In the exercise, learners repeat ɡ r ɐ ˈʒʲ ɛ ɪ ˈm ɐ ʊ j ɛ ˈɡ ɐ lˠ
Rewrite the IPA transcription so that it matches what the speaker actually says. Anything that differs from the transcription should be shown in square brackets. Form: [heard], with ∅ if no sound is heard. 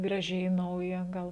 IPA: ɡ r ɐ ˈʒʲ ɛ ɪ [ˈn] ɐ ʊ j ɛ ˈɡ ɐ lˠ